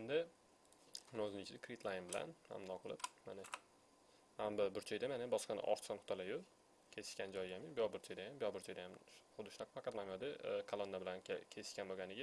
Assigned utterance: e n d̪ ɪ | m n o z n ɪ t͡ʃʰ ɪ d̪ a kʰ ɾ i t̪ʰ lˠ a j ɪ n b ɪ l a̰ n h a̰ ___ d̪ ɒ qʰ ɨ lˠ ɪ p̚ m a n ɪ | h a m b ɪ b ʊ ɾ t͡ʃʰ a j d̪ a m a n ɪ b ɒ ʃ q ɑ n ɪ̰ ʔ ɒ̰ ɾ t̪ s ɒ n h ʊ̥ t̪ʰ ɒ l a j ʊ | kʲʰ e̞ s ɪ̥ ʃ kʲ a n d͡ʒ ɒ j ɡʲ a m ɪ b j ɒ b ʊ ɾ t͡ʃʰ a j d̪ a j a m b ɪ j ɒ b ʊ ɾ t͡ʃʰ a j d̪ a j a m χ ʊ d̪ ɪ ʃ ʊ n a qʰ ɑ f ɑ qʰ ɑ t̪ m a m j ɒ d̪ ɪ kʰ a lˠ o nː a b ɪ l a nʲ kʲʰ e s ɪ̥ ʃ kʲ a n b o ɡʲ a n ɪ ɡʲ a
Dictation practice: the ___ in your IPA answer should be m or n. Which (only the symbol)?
m